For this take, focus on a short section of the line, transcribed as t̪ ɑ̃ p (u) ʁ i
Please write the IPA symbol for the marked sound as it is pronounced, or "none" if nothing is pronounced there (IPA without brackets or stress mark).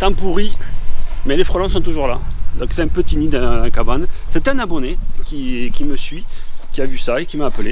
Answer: u